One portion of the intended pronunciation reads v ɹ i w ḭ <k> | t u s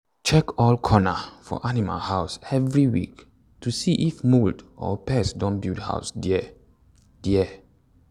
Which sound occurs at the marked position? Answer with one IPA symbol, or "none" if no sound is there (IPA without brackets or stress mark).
k